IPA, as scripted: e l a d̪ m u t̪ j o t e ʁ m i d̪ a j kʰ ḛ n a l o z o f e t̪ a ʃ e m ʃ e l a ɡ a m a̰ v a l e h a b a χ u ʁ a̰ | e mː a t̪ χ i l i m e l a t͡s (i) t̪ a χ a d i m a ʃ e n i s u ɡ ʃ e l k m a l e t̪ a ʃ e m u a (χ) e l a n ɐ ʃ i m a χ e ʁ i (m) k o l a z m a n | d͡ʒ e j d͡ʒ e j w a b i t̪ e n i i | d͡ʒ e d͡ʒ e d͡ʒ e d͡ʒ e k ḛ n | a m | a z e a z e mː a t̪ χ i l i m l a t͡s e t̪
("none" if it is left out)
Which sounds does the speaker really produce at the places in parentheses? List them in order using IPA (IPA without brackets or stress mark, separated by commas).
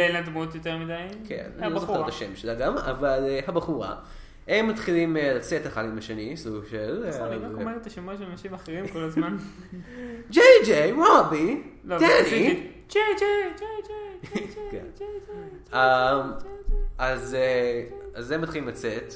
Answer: e, ʃ, m